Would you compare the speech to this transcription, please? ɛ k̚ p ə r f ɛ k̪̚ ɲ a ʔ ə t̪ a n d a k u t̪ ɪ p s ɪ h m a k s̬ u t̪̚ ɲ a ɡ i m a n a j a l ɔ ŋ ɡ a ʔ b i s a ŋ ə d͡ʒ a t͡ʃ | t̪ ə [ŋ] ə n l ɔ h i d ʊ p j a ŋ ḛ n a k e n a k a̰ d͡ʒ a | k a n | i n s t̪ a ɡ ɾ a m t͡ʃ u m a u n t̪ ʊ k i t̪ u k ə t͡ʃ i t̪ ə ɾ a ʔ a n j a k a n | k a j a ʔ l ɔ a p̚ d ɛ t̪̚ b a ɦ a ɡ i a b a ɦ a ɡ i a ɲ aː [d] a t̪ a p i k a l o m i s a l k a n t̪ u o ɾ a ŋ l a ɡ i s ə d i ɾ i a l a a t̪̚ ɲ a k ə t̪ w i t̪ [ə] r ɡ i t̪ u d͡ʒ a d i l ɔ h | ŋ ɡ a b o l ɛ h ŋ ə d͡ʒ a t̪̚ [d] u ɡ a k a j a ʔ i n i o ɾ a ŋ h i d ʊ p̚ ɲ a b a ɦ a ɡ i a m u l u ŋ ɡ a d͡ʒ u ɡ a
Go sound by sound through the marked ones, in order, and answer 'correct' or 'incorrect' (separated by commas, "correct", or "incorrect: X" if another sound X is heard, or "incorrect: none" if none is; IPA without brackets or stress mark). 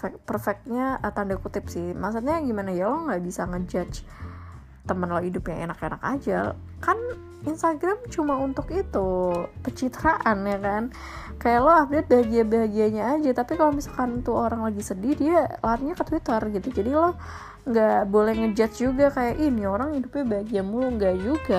incorrect: m, incorrect: d͡ʒ, correct, incorrect: d͡ʒ